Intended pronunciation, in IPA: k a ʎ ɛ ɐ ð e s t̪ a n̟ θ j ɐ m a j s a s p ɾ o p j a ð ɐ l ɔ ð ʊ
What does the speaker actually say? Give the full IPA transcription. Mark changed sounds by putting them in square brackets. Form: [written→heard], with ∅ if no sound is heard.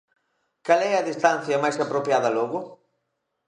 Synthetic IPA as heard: k a [ʎ→l] ɛ ɐ ð [e→i] s t̪ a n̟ θ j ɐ m a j s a [s→∅] p ɾ o p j a ð ɐ l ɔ [ð→ɣ] ʊ